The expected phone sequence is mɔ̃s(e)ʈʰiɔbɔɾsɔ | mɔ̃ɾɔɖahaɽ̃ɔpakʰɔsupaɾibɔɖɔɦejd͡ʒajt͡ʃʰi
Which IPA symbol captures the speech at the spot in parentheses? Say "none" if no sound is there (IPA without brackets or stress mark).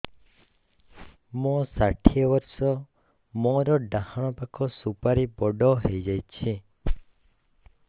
a